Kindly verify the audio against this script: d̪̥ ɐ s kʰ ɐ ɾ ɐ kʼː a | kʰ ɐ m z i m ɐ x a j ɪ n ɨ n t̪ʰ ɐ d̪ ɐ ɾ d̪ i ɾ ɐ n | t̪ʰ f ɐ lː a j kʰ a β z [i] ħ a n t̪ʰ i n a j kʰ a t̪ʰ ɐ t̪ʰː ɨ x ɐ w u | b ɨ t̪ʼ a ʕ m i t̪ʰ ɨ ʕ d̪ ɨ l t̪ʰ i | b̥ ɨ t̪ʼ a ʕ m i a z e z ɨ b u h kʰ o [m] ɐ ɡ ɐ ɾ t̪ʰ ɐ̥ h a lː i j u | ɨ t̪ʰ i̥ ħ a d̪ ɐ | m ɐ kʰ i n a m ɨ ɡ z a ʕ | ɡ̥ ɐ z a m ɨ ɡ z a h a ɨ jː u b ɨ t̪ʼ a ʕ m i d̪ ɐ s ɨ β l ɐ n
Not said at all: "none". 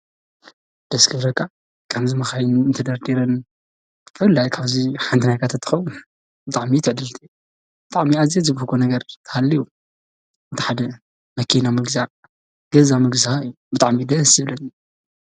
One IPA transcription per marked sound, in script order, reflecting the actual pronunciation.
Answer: i, n

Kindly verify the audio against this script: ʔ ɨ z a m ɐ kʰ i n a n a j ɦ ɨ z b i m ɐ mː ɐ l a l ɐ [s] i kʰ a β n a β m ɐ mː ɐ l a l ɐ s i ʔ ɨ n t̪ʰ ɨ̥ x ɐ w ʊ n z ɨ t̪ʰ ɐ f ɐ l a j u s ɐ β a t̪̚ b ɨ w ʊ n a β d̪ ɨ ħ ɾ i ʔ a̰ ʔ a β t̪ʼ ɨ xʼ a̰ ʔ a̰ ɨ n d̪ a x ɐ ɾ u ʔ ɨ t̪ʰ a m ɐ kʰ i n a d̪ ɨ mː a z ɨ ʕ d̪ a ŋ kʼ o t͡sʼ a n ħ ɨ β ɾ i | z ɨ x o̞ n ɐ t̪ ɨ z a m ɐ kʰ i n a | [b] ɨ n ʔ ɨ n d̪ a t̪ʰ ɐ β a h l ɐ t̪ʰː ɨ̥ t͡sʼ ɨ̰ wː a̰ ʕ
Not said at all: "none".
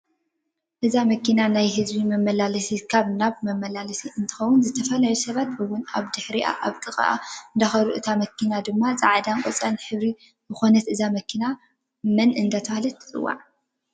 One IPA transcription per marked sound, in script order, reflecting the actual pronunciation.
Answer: s, m

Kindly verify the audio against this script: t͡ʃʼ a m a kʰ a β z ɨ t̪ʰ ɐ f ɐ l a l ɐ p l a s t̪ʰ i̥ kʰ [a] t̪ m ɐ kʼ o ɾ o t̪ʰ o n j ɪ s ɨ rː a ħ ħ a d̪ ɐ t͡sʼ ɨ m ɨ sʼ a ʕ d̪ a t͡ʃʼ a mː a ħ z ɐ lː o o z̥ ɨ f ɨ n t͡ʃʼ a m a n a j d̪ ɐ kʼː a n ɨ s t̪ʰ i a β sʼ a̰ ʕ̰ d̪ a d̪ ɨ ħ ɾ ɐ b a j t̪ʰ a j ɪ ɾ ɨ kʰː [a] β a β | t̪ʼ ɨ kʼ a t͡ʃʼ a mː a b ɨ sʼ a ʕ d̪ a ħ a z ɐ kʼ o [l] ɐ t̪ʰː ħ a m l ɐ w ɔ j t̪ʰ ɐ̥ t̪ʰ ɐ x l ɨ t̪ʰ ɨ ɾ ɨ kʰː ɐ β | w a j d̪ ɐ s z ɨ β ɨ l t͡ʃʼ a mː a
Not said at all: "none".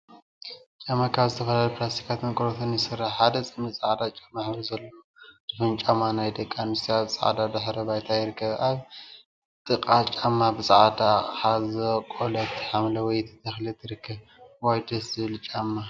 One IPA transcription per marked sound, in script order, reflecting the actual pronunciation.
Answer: a, ɐ, l

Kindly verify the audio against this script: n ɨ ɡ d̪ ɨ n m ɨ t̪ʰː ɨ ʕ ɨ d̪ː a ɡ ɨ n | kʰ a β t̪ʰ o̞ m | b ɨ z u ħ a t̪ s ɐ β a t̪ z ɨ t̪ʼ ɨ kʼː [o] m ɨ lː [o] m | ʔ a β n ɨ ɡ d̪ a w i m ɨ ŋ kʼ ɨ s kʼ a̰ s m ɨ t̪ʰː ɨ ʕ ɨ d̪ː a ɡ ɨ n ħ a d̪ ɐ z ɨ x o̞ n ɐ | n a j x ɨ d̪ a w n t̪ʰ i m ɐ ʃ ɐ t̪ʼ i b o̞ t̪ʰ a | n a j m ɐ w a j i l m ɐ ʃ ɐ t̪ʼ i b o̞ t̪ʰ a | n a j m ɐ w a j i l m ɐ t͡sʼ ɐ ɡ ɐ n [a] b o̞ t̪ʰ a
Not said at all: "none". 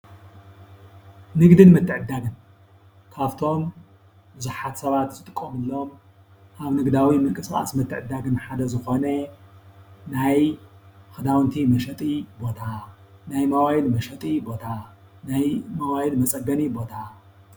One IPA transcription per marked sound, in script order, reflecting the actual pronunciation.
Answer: o, o, i

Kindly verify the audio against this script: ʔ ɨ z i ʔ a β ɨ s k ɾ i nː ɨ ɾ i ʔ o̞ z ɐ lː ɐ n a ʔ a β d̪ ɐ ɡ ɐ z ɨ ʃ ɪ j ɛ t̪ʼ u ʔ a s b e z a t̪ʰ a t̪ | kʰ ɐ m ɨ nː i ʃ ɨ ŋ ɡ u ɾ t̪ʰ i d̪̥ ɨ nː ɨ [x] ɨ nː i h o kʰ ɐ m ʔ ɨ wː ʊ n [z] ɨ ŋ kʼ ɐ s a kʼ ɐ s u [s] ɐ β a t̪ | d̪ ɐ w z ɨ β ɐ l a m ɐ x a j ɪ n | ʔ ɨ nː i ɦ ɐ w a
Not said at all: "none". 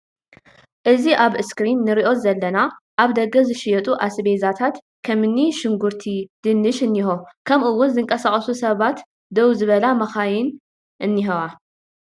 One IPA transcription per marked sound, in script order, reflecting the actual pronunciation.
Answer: ʃ, z, s

